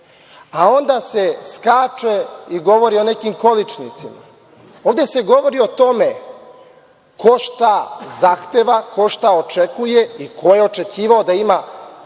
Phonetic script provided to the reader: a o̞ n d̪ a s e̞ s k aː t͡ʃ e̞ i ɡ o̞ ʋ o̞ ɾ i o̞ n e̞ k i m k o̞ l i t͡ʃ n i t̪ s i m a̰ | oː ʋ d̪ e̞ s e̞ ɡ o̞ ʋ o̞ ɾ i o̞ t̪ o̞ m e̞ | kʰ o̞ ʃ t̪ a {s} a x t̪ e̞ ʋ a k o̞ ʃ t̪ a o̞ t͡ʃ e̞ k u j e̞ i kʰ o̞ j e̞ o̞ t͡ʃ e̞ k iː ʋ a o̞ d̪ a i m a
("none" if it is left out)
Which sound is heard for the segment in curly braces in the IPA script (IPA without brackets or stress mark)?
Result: z